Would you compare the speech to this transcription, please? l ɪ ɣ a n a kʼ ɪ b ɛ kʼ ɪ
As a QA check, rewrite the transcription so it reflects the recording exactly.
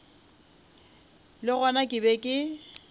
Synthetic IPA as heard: l ɪ ɣ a n a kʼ ɪ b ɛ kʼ ɪ